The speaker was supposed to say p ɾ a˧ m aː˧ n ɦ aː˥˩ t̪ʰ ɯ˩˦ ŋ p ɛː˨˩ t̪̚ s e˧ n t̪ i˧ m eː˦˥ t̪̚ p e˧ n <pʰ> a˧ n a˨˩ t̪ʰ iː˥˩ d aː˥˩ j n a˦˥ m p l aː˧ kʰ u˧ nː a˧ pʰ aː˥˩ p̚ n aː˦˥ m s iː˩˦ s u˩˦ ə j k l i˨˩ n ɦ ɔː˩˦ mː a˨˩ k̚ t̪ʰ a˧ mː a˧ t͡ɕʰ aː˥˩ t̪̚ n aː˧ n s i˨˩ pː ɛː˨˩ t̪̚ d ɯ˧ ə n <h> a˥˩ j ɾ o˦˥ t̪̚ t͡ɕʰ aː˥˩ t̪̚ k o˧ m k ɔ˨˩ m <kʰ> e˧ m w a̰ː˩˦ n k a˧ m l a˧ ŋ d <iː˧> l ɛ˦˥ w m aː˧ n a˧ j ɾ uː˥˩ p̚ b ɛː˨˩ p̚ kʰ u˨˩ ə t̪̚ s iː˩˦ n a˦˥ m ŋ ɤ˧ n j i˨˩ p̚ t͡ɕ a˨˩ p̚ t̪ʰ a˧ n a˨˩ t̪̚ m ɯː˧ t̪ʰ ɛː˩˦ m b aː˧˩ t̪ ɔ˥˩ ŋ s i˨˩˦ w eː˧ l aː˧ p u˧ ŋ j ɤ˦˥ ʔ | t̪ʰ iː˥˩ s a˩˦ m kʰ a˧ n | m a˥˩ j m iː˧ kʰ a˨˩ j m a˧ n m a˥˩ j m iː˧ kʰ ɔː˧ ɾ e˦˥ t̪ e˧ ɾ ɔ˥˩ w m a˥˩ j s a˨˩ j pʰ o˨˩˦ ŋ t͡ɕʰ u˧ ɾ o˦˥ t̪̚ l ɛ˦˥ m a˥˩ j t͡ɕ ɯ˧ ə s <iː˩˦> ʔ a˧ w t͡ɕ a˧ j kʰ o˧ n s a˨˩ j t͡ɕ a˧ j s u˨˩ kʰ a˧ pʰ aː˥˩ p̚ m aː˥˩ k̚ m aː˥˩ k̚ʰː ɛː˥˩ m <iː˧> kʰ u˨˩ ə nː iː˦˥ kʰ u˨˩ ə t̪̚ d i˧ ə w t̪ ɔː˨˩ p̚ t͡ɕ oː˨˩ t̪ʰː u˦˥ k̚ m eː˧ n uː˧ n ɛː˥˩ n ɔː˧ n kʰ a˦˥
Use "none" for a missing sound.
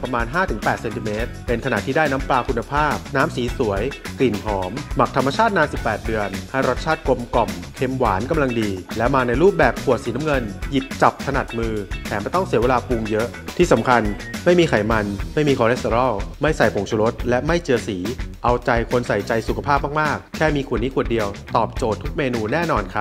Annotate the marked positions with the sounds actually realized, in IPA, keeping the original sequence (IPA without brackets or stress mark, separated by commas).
kʰ, h, kʰ, iː˧, iː˩˦, iː˧